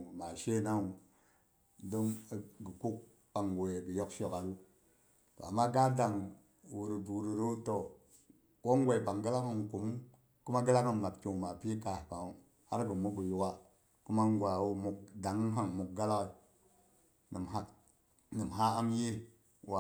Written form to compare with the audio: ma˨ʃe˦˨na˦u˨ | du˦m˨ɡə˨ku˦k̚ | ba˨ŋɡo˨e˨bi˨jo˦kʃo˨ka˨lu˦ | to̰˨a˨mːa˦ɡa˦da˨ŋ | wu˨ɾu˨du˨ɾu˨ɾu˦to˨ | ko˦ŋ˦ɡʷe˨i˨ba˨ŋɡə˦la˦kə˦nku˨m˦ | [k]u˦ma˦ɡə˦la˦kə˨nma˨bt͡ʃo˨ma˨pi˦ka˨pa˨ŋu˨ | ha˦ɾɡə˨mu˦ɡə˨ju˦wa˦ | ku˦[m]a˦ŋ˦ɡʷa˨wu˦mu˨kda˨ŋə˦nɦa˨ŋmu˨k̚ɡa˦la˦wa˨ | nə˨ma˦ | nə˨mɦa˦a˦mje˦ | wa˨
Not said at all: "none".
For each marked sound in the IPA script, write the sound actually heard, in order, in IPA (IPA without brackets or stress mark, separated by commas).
k, m